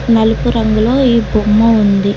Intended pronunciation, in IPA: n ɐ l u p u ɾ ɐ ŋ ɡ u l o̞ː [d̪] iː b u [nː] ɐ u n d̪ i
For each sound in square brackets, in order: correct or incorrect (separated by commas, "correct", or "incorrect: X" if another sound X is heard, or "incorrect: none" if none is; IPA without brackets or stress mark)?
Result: incorrect: none, incorrect: mː